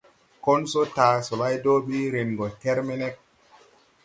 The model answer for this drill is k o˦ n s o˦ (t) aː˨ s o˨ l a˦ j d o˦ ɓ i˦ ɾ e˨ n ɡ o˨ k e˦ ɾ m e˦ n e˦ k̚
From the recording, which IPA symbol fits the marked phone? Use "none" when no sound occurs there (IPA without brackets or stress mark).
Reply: t